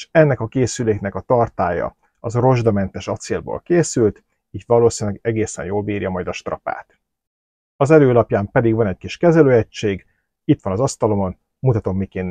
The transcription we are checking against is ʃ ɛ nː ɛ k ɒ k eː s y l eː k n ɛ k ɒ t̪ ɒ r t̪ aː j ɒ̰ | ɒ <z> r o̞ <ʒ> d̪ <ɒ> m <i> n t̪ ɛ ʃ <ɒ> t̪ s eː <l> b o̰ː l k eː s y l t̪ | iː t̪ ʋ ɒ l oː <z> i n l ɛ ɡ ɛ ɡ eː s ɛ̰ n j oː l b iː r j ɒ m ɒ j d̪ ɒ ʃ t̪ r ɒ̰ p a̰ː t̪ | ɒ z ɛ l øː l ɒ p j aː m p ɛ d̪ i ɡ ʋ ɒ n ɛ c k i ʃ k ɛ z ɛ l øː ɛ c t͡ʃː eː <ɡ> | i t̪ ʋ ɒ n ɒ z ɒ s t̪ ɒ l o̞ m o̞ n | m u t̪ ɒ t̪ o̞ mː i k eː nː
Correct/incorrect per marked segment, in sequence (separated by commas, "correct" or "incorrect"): correct, correct, correct, incorrect, correct, correct, incorrect, correct